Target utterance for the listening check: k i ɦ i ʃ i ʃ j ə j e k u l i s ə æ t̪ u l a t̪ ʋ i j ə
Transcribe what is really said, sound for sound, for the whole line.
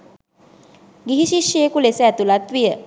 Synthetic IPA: ɡ i ɦ i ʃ i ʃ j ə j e k u l e s ə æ t̪ u l a t̪ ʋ i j ə